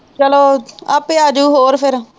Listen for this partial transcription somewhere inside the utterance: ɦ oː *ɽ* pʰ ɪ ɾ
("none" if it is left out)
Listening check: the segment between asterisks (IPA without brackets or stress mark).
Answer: ɾ